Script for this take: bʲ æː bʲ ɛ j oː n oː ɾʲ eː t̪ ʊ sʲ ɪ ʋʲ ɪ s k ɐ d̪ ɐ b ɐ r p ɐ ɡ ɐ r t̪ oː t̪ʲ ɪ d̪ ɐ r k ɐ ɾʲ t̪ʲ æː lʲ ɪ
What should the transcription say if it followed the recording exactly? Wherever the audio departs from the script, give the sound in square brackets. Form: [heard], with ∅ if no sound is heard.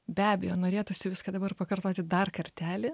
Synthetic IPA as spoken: bʲ æː bʲ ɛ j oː n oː ɾʲ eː t̪ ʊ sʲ ɪ ʋʲ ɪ s k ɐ d̪ ɐ b ɐ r p ɐ [k] ɐ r t̪ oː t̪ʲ ɪ d̪ ɐ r k ɐ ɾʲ t̪ʲ æː lʲ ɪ